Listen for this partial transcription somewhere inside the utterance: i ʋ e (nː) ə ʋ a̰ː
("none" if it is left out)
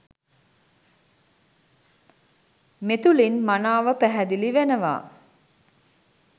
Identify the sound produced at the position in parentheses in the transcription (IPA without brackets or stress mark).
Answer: n